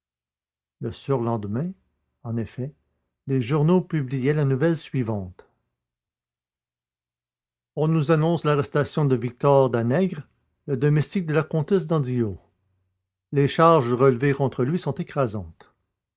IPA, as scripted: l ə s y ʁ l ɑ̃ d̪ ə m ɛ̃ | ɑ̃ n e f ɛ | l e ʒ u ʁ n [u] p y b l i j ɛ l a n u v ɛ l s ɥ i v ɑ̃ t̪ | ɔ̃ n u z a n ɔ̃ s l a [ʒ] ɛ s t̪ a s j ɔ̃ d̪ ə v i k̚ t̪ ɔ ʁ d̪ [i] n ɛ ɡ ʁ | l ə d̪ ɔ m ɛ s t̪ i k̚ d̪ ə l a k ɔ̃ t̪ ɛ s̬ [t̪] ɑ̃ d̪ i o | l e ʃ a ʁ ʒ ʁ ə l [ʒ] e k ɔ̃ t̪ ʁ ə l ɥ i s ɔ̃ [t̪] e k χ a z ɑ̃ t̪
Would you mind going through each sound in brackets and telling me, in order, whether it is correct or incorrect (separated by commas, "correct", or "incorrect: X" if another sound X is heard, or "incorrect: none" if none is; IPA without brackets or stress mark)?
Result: incorrect: o, incorrect: ʁ, incorrect: a, incorrect: d̪, incorrect: v, correct